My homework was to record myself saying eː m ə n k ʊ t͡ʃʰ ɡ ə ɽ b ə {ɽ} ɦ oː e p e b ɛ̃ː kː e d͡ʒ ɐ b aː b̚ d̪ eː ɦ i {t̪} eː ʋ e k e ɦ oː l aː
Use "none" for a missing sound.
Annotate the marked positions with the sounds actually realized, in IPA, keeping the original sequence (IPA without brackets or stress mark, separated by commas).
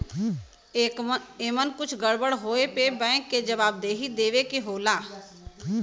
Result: ɽ, d̪